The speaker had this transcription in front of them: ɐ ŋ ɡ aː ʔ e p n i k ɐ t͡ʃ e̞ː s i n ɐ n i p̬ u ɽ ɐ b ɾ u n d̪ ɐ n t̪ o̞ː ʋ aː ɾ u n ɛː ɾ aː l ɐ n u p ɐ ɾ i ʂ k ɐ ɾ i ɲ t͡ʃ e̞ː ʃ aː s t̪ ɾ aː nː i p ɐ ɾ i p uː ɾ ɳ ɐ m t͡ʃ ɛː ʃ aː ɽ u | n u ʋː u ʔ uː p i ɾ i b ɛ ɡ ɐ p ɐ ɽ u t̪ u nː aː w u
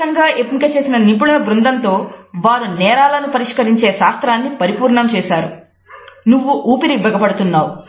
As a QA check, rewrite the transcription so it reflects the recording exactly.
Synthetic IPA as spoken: ɐ ŋ ɡ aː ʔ e p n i k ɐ t͡ʃ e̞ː s i n ɐ n i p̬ u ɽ ɐ b ɾ u n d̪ ɐ n t̪ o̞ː ʋ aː ɾ u n ɛː ɾ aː l ɐ n u p ɐ ɾ i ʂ k ɐ ɾ i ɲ t͡ʃ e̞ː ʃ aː s t̪ ɾ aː nː i p ɐ ɾ i p uː ɾ ɳ ɐ m t͡ʃ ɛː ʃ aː ɾ u | n u ʋː u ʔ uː p i ɾ i b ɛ ɡ ɐ p ɐ ɽ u t̪ u nː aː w u